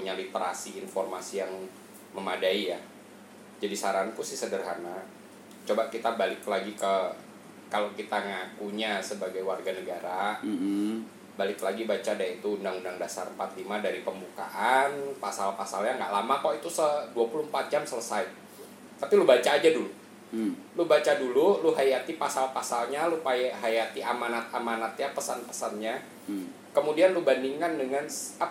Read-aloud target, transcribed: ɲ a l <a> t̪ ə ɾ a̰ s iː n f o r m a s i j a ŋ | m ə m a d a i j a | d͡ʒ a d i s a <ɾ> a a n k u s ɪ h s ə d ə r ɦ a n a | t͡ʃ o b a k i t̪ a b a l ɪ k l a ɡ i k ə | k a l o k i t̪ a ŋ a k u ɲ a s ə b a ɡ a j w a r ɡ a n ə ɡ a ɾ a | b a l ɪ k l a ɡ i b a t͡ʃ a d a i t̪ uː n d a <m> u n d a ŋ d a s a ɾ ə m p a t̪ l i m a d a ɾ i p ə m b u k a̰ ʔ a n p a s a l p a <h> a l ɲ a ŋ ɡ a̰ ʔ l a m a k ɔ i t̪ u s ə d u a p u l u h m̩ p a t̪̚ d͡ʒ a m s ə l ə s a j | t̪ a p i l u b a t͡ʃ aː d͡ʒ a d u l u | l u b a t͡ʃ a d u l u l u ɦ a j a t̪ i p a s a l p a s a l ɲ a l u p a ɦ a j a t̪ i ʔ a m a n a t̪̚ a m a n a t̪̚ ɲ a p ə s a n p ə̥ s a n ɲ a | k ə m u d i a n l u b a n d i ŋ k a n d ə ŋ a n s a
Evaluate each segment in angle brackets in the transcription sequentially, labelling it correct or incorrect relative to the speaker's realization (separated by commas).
incorrect, correct, incorrect, incorrect